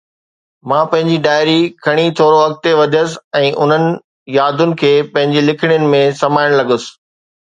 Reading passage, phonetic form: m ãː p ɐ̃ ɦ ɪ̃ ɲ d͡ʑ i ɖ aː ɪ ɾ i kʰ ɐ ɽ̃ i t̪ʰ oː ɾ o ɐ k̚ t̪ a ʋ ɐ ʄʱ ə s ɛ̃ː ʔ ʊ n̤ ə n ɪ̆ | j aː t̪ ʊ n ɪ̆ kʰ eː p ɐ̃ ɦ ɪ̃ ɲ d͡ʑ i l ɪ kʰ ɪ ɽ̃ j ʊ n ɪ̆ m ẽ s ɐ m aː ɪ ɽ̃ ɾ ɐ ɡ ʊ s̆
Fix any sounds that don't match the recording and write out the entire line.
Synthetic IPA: m ãː p ɐ̃ ɦ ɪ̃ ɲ d͡ʑ i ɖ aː ɪ ɾ i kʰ ɐ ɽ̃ i t̪ʰ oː ɾ o ɐ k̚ t̪ e ʋ ɐ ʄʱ ə s ɛ̃ː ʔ ʊ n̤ ə n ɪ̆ | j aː d̪ ʊ n ɪ̆ kʰ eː p ɐ̃ ɦ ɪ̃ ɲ d͡ʑ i l ɪ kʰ ɪ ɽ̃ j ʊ n ɪ̆ m ẽ s ɐ m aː ɪ ɽ̃ l ɐ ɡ ʊ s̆